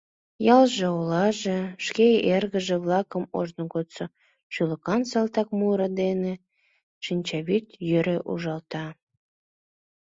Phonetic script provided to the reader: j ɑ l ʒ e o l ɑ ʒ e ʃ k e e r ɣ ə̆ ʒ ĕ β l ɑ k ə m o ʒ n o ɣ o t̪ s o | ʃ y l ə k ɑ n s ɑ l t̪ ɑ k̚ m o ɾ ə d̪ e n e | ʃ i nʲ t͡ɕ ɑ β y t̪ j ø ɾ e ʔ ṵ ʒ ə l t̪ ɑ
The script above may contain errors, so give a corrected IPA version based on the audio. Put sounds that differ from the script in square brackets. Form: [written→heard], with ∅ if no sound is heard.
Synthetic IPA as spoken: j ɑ l ʒ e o l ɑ ʒ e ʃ k e e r ɣ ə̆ ʒ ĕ β l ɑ k ə m o ʒ n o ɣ o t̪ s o | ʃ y l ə k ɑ n s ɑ l t̪ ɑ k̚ m [o→u] ɾ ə d̪ e n e | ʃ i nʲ t͡ɕ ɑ β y t̪ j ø ɾ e ʔ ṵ ʒ [ə→ɑ] l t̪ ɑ